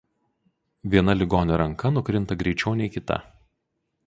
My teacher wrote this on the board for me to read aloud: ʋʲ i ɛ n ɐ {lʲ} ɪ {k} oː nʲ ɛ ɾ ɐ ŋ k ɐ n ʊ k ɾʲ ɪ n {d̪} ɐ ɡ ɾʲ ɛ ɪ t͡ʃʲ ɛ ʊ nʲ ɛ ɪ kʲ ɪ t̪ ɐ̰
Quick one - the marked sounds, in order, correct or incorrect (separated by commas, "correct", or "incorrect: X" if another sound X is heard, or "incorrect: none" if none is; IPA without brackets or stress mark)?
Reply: correct, incorrect: ɡ, incorrect: t̪